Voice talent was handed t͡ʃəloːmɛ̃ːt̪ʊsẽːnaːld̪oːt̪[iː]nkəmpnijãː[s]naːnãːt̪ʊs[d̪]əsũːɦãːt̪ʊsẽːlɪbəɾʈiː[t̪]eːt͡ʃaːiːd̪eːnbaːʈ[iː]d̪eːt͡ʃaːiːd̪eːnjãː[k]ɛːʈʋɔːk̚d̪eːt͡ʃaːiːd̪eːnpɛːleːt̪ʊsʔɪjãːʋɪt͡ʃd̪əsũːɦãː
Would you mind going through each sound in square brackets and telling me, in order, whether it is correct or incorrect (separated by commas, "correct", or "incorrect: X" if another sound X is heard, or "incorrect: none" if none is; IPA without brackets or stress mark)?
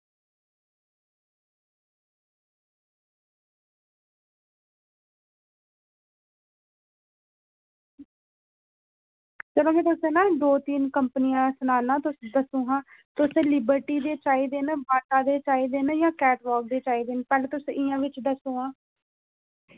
correct, correct, correct, incorrect: d̪, incorrect: aː, correct